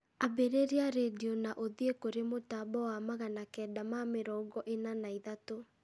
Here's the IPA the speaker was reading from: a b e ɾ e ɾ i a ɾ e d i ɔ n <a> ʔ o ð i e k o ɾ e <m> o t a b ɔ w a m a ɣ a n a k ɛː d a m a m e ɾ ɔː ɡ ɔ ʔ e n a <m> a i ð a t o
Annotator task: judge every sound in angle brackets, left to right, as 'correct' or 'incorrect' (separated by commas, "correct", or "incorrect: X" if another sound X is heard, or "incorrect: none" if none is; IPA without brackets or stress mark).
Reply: correct, correct, incorrect: n